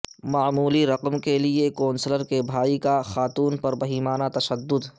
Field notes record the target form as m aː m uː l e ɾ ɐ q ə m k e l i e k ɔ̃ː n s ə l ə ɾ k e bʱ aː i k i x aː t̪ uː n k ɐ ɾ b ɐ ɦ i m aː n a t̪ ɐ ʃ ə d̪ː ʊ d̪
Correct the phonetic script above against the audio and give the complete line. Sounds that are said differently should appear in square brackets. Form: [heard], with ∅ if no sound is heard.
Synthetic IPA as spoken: m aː m uː l [i] ɾ ɐ q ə m k e l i e k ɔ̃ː n s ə l ə ɾ k e bʱ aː i k [a] x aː t̪ uː n [p] ɐ ɾ b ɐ ɦ [iː] m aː n a t̪ ɐ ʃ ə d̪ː ʊ d̪